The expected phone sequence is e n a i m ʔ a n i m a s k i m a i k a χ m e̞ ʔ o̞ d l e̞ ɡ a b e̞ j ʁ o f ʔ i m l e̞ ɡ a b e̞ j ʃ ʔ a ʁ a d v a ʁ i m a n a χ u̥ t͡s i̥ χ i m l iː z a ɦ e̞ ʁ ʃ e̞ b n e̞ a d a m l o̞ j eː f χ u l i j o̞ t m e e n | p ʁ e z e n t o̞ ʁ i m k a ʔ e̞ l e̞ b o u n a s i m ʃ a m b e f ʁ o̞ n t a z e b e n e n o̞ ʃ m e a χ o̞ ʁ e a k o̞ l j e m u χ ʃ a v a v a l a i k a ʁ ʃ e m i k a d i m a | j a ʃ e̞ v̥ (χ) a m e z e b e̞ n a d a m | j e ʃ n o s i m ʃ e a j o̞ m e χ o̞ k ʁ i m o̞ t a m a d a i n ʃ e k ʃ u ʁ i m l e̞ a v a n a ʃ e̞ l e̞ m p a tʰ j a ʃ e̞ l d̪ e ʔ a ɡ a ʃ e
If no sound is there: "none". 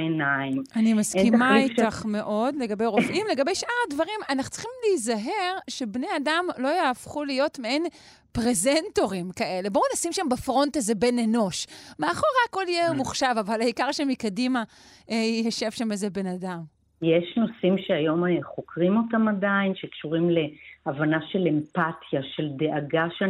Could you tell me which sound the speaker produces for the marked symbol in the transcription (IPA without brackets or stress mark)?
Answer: ʃ